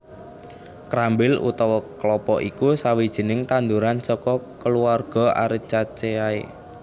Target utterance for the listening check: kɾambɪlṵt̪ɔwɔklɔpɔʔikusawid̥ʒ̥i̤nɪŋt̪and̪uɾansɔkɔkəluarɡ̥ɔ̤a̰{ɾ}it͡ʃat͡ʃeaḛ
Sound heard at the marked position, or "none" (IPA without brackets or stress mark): ɾ